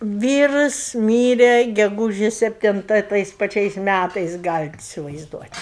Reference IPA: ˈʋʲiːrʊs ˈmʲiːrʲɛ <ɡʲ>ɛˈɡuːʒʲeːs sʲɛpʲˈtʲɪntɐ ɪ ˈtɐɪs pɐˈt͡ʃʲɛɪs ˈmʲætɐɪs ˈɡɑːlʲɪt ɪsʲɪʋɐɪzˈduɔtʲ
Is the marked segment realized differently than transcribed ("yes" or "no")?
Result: no